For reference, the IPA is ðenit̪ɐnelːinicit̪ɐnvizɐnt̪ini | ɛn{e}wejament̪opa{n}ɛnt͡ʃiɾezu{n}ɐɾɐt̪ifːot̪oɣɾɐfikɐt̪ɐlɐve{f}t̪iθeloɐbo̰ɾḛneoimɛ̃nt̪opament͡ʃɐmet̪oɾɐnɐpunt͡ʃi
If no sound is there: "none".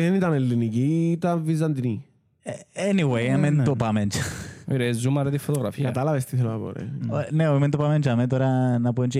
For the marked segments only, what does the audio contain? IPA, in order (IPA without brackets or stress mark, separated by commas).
i, m, m, s